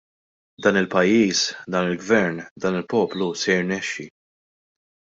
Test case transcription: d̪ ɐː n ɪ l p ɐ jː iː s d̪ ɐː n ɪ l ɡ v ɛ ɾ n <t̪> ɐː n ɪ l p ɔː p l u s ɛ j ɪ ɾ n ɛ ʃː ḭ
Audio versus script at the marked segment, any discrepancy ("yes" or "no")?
yes